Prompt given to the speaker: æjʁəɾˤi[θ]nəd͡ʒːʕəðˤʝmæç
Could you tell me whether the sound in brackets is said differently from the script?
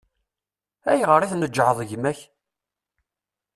no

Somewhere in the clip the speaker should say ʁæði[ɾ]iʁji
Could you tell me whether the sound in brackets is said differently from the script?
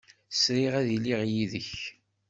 yes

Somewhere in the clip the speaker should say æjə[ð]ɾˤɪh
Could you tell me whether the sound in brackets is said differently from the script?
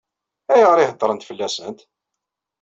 yes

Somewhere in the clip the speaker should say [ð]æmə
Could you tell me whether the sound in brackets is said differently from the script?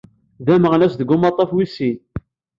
no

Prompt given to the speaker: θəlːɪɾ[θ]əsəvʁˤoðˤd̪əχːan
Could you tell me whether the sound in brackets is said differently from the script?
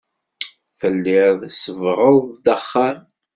yes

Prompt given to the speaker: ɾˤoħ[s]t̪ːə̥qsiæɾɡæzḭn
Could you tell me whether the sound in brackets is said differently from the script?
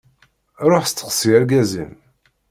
no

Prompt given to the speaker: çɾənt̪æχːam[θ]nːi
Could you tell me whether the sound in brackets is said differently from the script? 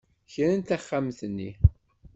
no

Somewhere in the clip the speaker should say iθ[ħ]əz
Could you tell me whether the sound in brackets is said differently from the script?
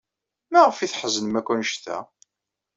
no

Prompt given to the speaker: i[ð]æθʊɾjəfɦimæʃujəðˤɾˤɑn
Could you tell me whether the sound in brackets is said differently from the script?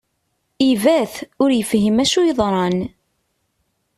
yes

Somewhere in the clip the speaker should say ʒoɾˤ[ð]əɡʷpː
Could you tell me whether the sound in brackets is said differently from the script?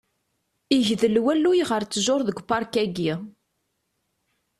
no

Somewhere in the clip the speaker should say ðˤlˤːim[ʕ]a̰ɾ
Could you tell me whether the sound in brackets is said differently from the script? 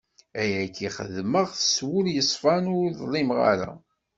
yes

